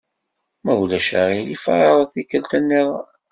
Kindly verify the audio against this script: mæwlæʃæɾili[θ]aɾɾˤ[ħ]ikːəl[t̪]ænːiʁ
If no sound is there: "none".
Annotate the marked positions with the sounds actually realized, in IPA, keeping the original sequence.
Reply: f, θ, t̪

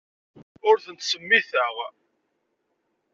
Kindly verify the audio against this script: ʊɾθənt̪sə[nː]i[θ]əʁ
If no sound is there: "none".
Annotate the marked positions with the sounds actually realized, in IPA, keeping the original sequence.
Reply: mː, θ

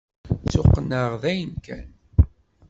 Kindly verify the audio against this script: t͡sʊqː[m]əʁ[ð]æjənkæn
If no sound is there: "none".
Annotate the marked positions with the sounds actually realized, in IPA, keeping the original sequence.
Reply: n, ð

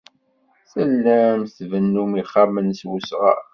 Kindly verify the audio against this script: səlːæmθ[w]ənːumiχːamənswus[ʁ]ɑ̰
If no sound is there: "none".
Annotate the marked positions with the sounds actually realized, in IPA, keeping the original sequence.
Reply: v, ʁ

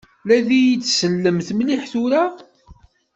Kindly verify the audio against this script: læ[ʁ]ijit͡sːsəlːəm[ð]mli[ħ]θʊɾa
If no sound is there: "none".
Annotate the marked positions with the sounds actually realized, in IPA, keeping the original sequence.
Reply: ð, θ, ħ

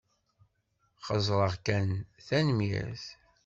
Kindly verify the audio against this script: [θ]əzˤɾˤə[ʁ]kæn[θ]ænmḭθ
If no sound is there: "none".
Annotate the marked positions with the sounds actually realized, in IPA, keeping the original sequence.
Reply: χ, ʁ, θ

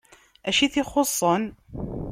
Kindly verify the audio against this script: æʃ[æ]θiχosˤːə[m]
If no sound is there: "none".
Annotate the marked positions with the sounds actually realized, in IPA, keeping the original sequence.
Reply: i, n

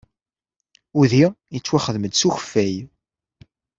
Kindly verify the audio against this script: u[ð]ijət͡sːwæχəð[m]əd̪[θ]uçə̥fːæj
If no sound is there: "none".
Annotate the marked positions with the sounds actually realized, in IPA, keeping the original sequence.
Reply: ð, m, s

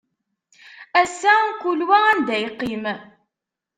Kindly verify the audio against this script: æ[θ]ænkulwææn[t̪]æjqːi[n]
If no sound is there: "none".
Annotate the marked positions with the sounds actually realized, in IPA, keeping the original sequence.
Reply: s, d̪, m

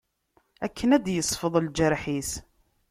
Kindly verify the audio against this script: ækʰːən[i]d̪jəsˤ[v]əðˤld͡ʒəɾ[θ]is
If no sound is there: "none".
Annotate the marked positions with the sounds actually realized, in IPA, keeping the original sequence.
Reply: æ, f, ħ

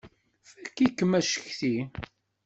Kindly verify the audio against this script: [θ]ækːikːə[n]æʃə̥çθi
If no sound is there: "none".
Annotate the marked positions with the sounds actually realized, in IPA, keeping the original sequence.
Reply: f, m

